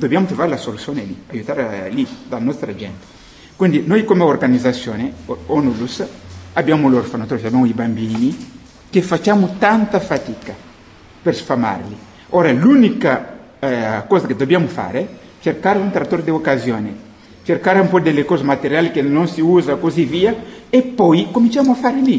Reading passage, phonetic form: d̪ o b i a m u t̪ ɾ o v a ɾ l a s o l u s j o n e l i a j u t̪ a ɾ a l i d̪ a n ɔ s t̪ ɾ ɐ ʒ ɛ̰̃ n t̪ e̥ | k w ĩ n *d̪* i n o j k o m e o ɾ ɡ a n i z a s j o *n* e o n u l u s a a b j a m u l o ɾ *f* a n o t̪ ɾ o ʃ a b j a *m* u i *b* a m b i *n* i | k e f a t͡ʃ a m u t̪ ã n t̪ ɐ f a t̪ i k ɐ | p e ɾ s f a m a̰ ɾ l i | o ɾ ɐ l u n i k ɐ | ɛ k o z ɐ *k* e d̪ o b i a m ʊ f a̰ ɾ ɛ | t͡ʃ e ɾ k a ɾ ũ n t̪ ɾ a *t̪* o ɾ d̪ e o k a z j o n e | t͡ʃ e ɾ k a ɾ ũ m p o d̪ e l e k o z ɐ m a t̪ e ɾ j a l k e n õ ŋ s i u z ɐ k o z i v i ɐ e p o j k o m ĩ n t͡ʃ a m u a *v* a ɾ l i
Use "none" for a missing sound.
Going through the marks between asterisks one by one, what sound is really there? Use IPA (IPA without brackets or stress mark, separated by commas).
d̪, n, f, m, b, n, k, t̪, f